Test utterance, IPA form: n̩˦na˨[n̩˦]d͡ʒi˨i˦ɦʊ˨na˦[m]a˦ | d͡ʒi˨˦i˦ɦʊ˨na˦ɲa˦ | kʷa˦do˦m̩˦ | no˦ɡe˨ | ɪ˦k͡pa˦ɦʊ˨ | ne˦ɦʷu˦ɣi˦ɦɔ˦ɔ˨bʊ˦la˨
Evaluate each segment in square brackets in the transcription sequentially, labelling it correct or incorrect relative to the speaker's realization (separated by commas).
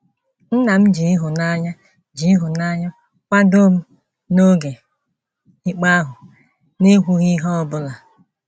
incorrect, incorrect